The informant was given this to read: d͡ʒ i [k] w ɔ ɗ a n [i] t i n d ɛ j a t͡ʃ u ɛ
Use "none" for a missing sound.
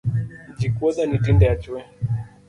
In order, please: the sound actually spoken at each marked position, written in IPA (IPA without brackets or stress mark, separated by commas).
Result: k, i